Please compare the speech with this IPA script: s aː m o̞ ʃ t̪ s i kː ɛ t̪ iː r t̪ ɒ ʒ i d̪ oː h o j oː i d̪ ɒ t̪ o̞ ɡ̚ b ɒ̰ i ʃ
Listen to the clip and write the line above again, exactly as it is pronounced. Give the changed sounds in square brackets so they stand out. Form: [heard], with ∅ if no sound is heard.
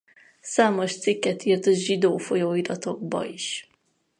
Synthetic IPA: s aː m o̞ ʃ t̪ s i kː ɛ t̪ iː r t̪ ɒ ʒ i d̪ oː [f] o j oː i d̪ ɒ t̪ o̞ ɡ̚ b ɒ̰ i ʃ